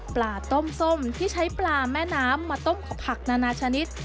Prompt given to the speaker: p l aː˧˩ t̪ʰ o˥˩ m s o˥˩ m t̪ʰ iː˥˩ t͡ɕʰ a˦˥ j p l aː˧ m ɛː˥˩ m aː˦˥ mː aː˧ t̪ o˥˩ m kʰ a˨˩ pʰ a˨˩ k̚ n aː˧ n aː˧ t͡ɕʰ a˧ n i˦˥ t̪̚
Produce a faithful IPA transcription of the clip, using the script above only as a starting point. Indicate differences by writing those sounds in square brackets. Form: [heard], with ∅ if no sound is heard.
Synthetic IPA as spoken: p l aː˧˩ [t̪] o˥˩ m s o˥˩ m t̪ʰ iː˥˩ t͡ɕʰ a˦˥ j p l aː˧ m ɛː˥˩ [n] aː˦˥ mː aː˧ t̪ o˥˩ m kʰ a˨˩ pʰ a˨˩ k̚ n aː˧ n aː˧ t͡ɕʰ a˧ n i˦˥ t̪̚

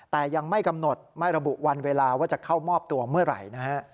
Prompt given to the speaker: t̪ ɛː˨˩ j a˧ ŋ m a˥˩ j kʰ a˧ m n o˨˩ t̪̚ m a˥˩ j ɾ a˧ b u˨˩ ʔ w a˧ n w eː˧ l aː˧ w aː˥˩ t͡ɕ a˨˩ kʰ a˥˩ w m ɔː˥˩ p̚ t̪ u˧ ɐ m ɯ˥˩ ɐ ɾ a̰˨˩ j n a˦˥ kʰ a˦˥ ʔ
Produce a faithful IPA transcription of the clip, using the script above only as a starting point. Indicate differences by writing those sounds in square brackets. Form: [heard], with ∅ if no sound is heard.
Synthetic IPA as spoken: t̪ ɛː˨˩ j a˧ ŋ m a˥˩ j [k] a˧ m n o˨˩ t̪̚ m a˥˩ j ɾ a˧ b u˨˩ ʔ w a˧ n w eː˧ l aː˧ w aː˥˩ t͡ɕ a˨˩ kʰ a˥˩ w m ɔː˥˩ p̚ t̪ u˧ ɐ m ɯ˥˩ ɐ ɾ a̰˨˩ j n a˦˥ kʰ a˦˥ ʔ

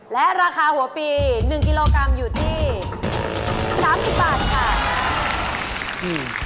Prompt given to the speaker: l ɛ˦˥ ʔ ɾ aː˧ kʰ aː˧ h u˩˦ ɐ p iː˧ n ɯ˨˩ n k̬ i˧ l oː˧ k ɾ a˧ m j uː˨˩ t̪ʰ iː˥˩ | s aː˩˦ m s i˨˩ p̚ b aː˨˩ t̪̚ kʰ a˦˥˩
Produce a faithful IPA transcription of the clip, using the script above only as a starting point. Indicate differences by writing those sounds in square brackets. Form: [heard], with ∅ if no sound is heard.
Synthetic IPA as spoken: l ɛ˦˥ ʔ ɾ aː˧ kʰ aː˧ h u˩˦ ɐ p iː˧ n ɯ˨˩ [ŋ] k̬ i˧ l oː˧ k ɾ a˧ m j uː˨˩ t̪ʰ iː˥˩ | s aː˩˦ m s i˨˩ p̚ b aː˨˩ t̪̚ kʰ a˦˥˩

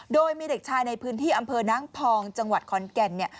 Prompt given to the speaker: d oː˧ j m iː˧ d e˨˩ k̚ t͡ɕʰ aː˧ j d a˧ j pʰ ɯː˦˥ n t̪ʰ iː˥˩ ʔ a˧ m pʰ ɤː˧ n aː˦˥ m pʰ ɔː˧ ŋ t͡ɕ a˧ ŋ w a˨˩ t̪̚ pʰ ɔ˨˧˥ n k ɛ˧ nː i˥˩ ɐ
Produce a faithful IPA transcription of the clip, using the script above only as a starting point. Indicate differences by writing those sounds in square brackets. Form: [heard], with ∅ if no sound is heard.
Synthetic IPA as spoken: d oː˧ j m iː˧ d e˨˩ k̚ t͡ɕʰ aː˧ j [n] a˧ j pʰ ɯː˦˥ n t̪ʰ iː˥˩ ʔ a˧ m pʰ ɤː˧ n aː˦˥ [ŋ] pʰ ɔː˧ ŋ t͡ɕ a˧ ŋ w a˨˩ t̪̚ [kʰ] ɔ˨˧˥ n k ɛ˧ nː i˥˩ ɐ

